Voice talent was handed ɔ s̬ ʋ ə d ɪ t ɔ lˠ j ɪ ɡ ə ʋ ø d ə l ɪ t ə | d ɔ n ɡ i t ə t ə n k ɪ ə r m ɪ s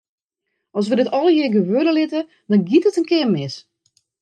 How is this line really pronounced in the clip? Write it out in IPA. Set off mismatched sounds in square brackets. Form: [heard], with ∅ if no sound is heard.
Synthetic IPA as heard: ɔ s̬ ʋ ə d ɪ t ɔ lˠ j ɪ ɡ ə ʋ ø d ə l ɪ t ə | d ɔ n ɡ i t ə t ə n k ɪ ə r m ɪ s